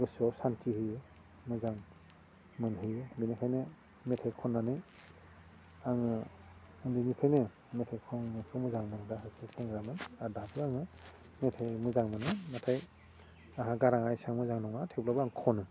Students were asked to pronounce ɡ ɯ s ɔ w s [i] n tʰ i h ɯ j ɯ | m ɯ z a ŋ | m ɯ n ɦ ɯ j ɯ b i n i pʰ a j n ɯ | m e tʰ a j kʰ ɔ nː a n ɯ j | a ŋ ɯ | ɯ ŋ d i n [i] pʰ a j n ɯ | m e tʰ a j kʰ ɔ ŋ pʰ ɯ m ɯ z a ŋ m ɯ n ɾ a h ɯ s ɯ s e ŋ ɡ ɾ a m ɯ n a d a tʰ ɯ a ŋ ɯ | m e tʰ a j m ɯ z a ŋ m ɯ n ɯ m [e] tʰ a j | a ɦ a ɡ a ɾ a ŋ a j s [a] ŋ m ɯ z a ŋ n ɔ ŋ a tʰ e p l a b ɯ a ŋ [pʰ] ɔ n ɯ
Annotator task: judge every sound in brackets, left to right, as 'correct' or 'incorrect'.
incorrect, correct, incorrect, correct, incorrect

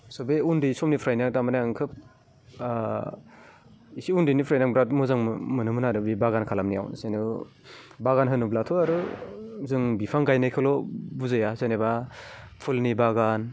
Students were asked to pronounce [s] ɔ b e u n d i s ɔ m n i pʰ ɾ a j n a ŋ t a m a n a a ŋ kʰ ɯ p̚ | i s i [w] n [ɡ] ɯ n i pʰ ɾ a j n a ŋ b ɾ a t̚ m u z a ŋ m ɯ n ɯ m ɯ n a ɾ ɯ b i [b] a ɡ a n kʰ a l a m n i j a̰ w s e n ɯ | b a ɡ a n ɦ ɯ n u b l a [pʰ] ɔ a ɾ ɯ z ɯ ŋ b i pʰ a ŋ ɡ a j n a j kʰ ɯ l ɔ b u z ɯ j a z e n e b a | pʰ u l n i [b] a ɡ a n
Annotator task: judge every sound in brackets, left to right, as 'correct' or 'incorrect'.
correct, incorrect, incorrect, correct, incorrect, correct

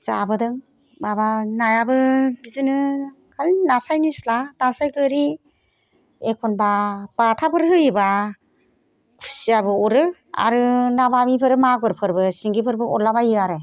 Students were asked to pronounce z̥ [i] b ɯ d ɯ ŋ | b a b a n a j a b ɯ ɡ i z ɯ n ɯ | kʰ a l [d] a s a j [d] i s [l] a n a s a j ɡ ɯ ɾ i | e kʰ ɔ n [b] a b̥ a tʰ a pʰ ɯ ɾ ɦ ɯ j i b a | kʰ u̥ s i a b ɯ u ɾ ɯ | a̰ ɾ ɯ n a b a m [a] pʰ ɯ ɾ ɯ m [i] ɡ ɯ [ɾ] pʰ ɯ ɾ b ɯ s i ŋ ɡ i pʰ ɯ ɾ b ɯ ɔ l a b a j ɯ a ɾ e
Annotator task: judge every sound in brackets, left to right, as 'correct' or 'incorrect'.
incorrect, incorrect, incorrect, correct, correct, incorrect, incorrect, correct

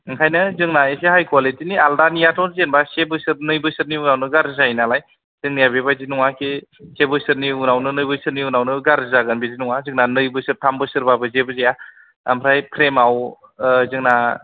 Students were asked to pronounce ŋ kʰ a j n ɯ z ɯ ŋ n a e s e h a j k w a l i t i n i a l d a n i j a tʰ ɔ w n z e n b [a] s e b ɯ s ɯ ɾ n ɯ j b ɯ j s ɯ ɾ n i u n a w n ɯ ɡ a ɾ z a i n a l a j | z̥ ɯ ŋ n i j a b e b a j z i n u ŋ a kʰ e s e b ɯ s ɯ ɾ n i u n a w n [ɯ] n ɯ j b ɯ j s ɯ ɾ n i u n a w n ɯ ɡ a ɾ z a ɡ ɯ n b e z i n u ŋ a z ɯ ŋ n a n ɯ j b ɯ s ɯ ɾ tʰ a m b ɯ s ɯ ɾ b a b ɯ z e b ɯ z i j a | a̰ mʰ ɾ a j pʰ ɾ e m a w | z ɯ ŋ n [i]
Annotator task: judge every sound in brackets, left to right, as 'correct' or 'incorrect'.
correct, correct, incorrect

